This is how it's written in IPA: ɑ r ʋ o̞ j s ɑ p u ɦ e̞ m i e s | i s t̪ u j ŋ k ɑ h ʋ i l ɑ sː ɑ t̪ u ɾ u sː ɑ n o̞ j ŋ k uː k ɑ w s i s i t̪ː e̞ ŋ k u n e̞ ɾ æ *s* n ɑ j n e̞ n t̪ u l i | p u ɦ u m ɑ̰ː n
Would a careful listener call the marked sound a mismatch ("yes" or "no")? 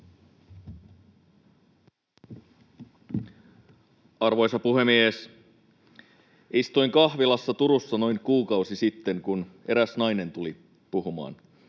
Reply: no